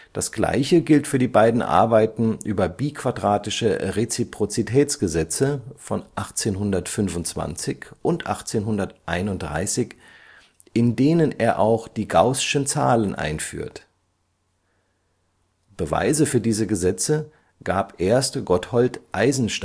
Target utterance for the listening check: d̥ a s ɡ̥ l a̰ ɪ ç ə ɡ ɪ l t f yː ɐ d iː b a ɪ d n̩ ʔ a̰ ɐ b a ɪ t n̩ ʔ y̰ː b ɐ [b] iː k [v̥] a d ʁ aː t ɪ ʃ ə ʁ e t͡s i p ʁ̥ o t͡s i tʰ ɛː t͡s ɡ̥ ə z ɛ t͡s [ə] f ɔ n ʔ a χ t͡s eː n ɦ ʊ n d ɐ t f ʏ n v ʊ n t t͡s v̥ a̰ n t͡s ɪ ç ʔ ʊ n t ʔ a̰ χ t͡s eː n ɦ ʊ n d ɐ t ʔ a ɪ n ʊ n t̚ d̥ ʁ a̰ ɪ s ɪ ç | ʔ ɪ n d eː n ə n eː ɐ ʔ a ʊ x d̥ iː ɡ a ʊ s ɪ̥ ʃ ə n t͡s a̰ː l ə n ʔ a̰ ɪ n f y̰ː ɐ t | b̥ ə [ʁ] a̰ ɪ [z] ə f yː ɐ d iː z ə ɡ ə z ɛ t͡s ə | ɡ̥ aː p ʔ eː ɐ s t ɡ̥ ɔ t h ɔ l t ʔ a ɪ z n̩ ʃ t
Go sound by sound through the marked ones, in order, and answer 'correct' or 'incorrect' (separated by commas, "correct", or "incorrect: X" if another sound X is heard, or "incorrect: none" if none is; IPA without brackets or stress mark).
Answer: correct, correct, correct, incorrect: v, correct